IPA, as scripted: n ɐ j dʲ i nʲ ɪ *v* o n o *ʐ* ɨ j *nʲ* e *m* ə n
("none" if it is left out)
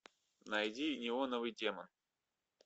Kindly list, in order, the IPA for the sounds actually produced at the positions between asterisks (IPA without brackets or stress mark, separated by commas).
v, v, dʲ, m